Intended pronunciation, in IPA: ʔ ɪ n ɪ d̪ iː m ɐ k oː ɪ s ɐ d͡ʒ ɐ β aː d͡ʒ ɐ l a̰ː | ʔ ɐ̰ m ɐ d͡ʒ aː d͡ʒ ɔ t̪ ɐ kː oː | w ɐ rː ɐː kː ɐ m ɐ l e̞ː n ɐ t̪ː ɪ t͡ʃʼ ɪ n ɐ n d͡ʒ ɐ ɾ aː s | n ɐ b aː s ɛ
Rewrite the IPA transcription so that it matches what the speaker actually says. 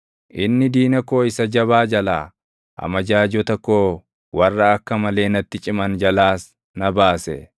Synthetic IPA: ʔ ɪ nː ɪ d̪ iː n ɐ k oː ɪ s ɐ d͡ʒ ɐ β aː d͡ʒ ɐ l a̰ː | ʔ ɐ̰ m ɐ d͡ʒ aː d͡ʒ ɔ t̪ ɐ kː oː | w ɐ rː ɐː kː ɐ m ɐ l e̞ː n ɐ t̪ː ɪ t͡ʃʼ ɪ m ɐ n d͡ʒ ɐ l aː s | n ɐ b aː s ɛ